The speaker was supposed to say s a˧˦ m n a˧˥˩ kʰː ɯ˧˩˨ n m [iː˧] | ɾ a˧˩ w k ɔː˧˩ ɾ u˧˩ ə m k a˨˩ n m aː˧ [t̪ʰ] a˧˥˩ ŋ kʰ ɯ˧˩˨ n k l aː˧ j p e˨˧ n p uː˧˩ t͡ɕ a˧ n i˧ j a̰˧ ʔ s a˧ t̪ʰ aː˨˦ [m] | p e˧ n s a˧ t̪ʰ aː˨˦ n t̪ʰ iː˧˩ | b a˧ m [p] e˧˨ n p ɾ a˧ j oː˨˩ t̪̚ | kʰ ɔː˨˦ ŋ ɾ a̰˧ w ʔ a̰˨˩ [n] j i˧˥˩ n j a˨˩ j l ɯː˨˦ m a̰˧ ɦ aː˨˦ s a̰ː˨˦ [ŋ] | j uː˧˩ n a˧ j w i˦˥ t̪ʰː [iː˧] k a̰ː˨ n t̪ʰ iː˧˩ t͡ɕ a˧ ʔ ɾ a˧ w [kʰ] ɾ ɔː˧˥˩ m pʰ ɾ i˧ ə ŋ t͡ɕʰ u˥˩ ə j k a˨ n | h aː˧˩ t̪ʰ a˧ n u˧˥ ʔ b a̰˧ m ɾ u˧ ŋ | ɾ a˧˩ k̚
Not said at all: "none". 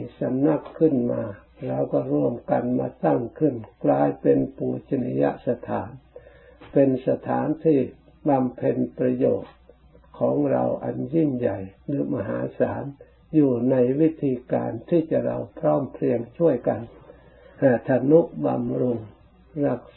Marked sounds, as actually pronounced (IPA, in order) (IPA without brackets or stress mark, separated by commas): aː˧, t̪, n, pʰ, n, n, iː˧, pʰ